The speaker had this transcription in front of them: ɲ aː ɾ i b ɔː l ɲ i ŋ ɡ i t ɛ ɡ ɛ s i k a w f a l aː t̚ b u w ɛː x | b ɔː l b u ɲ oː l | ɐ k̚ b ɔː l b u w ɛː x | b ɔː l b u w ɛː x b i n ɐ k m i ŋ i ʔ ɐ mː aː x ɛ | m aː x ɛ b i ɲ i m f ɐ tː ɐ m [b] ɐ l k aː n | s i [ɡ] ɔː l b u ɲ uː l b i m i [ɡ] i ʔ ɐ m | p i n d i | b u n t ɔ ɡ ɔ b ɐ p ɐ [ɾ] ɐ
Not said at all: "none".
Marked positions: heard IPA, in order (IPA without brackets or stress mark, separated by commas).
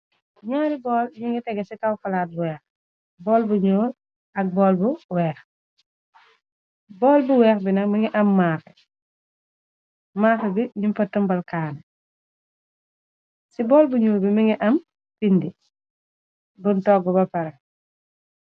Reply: b, b, ŋ, ɾ